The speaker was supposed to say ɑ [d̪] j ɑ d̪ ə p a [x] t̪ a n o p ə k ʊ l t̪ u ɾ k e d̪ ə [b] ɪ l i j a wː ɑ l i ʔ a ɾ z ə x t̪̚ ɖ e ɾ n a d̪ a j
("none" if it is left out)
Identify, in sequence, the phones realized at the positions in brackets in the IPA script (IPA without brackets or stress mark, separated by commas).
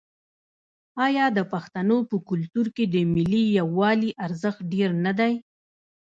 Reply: none, x, m